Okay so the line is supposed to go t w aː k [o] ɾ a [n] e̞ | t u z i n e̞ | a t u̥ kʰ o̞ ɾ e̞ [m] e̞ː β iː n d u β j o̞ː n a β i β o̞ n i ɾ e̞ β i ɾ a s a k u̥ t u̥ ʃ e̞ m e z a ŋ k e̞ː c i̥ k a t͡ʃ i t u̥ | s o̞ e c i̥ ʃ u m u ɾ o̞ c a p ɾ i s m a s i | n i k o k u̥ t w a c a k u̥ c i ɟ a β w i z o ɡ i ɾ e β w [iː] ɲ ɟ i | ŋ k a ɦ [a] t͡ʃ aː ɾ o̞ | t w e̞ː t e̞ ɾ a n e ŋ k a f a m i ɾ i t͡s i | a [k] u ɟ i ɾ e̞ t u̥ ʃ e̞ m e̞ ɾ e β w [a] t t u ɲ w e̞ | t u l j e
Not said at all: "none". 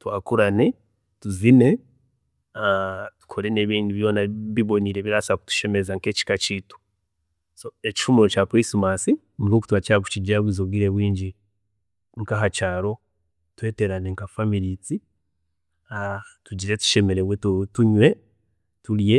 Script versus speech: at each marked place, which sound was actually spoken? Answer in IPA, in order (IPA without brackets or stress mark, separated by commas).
u, n, n, iː, a, t, e